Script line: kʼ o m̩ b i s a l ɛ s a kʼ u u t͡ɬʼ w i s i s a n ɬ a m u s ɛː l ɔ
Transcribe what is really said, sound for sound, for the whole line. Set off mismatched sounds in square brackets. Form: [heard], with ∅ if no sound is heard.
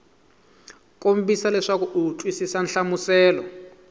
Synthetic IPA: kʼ o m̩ b i s a l ɛ [ʂ] a [k] u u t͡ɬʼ w i s i s a n ɬ a m u s ɛː l ɔ